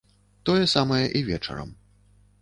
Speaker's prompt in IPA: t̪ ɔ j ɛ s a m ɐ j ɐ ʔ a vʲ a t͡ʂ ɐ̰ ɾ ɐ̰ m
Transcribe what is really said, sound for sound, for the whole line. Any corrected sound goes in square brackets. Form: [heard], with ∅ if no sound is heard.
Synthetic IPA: t̪ ɔ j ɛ s a m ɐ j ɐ ʔ [i] vʲ [ɛ] t͡ʂ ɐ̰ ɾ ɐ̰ m